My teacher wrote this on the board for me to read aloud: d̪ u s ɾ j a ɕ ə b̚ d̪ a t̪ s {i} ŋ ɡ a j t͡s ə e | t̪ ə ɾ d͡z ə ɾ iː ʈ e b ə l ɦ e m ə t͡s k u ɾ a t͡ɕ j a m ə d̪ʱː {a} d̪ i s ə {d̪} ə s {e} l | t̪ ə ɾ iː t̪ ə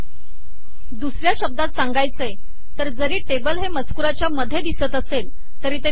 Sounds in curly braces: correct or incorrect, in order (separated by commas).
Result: incorrect, incorrect, incorrect, correct